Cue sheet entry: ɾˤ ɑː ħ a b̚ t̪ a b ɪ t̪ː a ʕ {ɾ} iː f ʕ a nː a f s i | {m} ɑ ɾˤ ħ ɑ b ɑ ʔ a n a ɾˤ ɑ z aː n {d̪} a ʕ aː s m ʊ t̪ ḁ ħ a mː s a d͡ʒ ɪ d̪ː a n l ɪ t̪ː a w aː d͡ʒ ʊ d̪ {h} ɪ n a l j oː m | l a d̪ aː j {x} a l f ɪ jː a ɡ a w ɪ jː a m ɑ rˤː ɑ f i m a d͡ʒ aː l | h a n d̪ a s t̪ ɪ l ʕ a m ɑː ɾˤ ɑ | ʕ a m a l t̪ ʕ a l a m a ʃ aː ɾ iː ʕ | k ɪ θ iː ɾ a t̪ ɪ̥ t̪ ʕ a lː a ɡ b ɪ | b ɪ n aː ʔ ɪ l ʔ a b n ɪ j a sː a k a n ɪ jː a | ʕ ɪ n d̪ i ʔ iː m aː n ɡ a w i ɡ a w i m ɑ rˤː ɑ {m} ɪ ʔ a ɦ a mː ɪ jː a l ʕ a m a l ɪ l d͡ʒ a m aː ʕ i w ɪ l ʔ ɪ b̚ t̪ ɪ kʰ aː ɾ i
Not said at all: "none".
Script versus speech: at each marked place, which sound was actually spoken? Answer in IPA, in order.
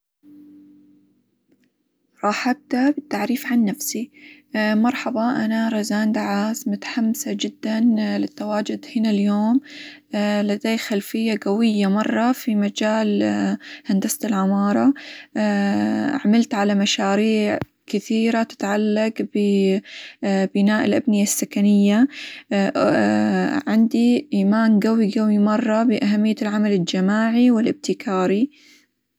ɾ, m, d̪, h, x, b

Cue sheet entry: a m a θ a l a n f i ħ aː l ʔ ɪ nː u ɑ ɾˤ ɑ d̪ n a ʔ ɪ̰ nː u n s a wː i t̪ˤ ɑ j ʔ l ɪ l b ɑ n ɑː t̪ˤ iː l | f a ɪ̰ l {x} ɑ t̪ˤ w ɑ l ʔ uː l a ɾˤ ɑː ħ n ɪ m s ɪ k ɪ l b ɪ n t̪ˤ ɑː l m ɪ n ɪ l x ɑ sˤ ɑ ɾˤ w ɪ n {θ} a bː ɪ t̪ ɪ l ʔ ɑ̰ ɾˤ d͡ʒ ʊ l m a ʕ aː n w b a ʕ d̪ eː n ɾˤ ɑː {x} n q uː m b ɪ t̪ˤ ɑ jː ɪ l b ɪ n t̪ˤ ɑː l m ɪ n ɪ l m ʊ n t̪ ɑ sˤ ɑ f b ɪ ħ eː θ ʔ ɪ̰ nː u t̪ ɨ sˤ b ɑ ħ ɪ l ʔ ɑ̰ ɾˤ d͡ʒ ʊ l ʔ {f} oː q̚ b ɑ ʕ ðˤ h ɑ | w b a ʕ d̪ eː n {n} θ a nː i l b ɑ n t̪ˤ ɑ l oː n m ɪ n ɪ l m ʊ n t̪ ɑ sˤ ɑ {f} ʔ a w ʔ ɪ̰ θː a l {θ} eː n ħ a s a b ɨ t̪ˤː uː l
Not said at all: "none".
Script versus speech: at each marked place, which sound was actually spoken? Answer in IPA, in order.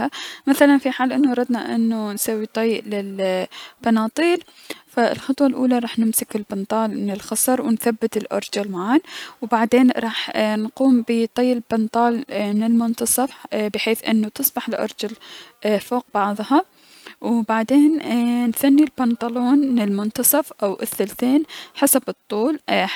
x, θ, ħ, f, n, f, θ

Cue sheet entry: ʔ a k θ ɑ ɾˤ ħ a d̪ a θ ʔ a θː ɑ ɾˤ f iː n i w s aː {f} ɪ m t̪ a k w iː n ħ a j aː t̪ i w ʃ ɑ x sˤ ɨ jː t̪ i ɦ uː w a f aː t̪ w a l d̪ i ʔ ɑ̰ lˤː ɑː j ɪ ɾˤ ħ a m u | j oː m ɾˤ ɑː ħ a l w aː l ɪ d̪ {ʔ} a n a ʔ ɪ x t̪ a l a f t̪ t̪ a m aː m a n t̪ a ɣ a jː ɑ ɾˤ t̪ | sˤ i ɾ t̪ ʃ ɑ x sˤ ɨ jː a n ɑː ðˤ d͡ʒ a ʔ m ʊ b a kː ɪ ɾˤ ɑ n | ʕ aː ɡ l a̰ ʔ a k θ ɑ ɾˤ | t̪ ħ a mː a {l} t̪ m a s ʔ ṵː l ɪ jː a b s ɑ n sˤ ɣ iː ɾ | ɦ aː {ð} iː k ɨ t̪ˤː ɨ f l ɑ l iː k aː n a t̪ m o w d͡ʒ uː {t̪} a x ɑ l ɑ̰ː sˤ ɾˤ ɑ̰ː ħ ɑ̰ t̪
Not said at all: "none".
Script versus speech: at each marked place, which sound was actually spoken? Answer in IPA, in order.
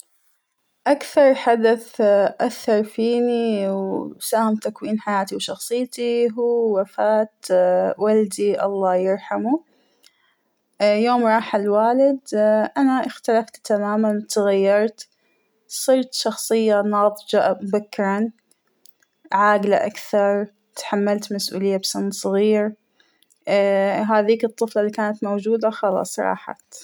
h, ʔ, l, ð, d̪

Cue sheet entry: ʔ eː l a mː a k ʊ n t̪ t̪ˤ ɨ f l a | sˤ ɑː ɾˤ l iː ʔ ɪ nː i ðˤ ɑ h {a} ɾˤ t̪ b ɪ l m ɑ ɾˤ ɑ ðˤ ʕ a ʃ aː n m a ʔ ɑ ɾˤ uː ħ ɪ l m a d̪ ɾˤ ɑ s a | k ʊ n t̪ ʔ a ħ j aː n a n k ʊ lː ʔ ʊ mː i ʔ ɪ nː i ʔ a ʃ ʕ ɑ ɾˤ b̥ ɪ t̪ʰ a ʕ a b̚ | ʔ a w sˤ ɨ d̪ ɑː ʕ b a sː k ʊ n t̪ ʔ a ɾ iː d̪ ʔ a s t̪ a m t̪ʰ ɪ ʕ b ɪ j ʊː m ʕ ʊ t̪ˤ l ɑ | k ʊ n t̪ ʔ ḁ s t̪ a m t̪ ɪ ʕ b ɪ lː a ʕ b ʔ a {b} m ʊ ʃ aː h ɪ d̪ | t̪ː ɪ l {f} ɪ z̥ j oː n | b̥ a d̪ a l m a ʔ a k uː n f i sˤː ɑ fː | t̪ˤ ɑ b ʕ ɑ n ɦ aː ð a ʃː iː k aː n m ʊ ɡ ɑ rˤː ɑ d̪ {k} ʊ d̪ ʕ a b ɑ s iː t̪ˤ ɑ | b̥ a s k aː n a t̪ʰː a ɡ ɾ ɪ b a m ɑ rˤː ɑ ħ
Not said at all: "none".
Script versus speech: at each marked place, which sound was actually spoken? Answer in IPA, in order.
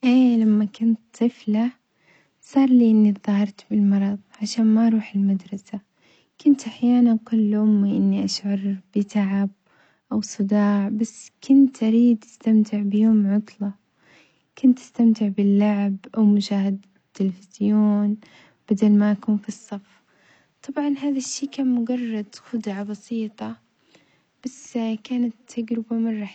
ɑ, w, f, x

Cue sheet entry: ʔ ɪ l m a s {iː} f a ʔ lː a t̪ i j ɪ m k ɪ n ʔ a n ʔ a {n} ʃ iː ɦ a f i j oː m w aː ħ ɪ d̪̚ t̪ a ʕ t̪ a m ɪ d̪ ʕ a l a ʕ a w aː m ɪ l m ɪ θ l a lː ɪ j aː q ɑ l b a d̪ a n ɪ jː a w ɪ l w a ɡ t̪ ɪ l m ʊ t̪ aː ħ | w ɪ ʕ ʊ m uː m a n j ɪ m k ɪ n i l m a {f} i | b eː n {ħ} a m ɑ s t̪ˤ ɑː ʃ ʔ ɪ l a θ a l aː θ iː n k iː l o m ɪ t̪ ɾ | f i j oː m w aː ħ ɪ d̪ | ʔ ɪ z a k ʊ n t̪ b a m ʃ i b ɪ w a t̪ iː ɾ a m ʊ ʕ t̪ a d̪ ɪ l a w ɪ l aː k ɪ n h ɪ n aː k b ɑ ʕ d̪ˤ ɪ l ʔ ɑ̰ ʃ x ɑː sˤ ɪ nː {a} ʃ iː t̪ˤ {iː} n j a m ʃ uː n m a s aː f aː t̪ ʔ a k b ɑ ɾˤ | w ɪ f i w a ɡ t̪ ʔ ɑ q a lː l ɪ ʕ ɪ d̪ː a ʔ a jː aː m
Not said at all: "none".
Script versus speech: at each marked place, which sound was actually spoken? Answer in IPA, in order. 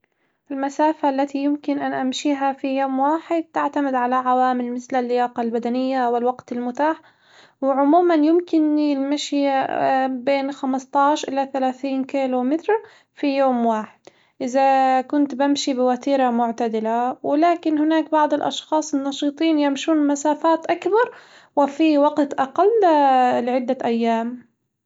aː, m, ʃ, x, ɑ, iː

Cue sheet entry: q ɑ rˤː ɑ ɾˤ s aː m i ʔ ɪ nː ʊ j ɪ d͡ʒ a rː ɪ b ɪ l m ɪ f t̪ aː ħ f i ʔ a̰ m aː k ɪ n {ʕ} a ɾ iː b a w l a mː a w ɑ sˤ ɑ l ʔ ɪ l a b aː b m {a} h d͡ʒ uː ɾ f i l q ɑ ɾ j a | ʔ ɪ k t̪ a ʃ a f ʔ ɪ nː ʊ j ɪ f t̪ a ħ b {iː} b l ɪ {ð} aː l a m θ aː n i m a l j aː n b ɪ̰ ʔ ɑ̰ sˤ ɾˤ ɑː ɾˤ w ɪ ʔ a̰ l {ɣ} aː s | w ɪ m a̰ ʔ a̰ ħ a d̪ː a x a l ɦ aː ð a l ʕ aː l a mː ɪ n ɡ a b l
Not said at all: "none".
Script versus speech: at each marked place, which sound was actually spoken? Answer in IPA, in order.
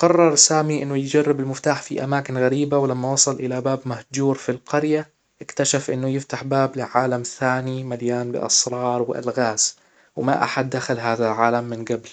ɣ, a, aː, ʕ, ɣ

